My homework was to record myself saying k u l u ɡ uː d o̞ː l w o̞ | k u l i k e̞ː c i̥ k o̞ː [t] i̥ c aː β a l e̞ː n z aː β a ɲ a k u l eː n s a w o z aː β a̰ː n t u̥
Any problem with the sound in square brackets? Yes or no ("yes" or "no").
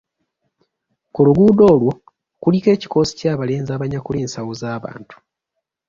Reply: yes